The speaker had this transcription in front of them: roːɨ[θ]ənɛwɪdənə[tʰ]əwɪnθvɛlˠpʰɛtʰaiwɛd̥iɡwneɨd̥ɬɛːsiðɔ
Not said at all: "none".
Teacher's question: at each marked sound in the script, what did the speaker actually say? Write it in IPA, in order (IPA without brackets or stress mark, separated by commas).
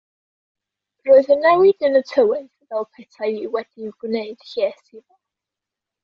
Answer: ð, tʰ